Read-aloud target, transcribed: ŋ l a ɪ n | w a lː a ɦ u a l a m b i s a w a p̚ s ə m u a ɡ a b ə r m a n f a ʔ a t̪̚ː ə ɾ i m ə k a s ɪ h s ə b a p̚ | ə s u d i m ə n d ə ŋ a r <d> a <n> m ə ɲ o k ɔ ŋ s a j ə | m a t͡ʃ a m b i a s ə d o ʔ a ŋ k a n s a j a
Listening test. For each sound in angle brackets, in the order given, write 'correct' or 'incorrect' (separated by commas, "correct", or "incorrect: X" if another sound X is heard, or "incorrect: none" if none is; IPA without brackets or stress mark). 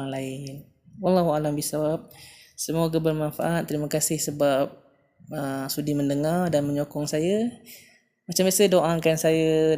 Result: correct, correct